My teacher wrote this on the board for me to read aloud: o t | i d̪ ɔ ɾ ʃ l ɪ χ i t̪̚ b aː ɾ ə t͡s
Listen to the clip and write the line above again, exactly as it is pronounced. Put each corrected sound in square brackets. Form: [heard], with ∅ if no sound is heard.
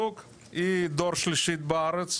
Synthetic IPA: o [k] | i d̪ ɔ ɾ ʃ l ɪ [ʃ] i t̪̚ b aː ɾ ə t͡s